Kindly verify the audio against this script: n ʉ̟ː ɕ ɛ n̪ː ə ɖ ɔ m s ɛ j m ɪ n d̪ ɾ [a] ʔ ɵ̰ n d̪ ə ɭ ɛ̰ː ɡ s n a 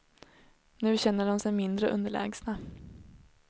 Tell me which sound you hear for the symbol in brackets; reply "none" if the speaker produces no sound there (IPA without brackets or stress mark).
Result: ə